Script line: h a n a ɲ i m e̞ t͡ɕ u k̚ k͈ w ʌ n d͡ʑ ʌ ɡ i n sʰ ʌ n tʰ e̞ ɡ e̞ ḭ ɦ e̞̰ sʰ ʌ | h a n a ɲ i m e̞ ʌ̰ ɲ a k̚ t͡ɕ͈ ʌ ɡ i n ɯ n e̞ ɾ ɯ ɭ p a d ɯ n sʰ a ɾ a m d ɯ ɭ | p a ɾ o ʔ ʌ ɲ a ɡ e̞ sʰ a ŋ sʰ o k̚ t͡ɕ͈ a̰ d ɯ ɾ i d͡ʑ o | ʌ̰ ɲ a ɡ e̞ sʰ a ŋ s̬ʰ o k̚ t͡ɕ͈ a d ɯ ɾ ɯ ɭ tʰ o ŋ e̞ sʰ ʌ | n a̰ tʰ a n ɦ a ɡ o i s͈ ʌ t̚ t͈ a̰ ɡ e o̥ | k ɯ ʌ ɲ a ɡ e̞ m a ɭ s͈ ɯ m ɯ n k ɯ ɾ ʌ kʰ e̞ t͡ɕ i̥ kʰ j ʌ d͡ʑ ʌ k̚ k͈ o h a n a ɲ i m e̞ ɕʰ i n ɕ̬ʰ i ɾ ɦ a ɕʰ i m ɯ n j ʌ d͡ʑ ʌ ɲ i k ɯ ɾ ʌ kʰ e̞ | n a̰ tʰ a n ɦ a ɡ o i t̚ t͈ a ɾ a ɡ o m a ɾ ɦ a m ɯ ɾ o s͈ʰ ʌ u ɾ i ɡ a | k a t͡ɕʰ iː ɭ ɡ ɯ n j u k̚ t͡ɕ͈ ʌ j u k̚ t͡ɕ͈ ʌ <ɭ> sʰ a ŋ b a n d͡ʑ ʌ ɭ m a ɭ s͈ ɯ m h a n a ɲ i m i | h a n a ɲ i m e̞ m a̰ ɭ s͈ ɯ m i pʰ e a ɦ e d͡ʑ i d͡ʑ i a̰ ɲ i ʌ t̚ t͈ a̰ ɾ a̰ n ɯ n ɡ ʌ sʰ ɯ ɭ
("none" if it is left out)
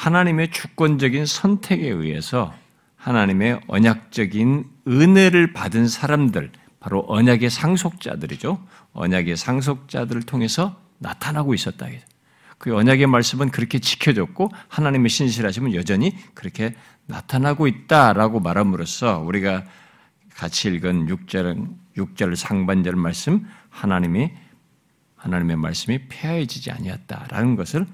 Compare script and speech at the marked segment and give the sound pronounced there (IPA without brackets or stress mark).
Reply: ɭ